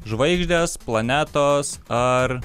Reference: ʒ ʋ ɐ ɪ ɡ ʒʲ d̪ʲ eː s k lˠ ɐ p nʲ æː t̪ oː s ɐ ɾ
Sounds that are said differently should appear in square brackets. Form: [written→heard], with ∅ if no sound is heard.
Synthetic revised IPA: ʒ ʋ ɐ ɪ ɡ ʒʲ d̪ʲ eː s [k→p] lˠ ɐ [p→∅] nʲ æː t̪ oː s ɐ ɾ

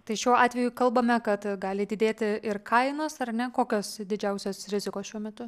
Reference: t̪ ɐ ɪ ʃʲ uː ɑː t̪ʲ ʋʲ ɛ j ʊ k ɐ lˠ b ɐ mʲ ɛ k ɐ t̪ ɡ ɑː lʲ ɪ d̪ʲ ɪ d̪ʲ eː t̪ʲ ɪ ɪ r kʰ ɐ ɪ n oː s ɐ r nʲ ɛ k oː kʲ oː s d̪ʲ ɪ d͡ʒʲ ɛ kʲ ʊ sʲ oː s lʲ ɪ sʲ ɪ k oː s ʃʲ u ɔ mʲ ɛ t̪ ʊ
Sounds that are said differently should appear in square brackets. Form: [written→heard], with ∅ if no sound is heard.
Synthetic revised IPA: t̪ ɐ ɪ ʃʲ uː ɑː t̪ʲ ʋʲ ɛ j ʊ k ɐ lˠ b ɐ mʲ ɛ k ɐ t̪ ɡ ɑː lʲ ɪ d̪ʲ ɪ d̪ʲ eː t̪ʲ ɪ ɪ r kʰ ɐ ɪ n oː s ɐ r nʲ ɛ k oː kʲ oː s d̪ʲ ɪ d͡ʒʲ ɛ [kʲ→∅] ʊ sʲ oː s [lʲ→ɾʲ] ɪ [sʲ→zʲ] ɪ k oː s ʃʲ u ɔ mʲ ɛ t̪ ʊ

